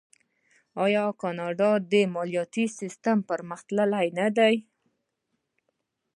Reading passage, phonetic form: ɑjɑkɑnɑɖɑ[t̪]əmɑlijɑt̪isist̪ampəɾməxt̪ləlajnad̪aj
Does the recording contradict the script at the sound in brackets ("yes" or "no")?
yes